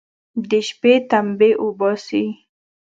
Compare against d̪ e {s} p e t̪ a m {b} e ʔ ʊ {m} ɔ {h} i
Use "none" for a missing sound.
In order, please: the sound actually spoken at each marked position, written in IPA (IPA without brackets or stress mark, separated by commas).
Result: ʃ, b, b, s